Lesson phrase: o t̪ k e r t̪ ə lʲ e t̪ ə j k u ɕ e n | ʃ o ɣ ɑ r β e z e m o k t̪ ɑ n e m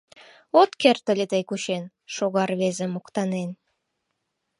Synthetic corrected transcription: o t̪ k e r t̪ ə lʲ e t̪ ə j k u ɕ e n | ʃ o ɣ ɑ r β e z e m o k t̪ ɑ n e n